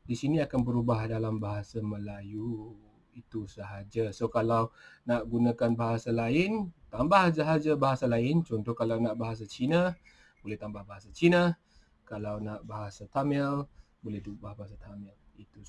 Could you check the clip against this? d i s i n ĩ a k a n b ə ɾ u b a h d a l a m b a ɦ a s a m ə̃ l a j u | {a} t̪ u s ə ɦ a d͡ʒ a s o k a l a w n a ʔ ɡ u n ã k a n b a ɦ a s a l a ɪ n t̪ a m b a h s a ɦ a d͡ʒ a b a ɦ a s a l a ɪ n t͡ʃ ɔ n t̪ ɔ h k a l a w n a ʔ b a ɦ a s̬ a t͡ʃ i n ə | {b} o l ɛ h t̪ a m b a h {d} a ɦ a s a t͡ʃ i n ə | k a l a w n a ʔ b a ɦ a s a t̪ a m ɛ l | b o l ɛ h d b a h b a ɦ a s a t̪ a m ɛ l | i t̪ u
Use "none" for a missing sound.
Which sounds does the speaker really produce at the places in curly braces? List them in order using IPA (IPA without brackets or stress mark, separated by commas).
i, b, b